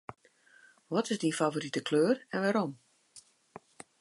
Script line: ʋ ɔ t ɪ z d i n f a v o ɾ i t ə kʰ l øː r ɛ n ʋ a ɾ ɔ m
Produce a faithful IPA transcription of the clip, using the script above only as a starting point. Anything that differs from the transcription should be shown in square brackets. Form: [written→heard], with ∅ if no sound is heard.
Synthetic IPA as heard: ʋ ɔ t ɪ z d i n f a v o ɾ i t ə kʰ l øː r ɛ n ʋ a ɾ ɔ m